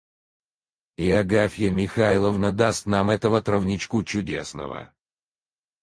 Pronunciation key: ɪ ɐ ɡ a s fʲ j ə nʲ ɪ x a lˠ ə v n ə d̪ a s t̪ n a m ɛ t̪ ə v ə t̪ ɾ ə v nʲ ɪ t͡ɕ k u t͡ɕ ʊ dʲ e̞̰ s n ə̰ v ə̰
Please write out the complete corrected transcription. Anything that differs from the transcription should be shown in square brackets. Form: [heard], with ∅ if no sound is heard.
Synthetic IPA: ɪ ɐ ɡ a [∅] fʲ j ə [mʲ] ɪ x a lˠ ə v n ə d̪ a s t̪ n a m ɛ t̪ ə v ə t̪ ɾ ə v nʲ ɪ t͡ɕ k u t͡ɕ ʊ dʲ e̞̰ s n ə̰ v ə̰